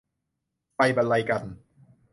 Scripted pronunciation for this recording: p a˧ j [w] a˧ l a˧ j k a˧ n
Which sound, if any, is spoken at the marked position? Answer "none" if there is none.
b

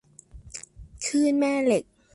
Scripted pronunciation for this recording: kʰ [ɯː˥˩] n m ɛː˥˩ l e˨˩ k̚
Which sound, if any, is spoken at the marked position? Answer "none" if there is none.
ɯː˥˩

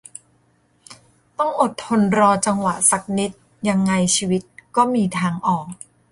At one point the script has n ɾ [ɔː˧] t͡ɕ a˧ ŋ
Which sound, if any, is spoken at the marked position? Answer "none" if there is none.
ɔː˧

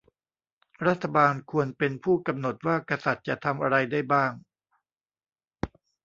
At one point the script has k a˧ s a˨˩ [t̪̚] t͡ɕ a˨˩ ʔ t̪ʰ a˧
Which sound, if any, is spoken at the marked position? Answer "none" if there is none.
t̪̚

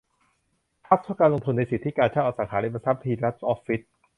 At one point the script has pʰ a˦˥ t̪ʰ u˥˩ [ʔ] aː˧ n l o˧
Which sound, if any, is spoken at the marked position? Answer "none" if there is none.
k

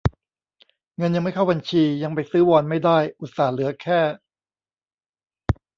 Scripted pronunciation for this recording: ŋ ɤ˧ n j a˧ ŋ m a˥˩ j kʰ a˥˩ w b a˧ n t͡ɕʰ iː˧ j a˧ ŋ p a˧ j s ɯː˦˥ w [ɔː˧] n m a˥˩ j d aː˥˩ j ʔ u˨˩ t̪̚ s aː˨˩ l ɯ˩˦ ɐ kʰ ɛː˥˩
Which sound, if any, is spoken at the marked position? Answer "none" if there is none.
ɔː˧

